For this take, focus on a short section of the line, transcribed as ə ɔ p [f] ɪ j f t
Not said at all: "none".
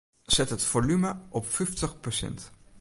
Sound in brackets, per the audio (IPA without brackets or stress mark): f